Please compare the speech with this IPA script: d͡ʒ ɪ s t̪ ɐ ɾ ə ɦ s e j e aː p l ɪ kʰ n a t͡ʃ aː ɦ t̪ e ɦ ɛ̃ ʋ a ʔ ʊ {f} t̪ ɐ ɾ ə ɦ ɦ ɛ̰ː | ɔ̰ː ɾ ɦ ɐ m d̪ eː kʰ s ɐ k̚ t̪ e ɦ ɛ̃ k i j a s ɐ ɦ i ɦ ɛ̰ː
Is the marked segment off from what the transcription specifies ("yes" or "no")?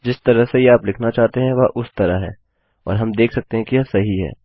yes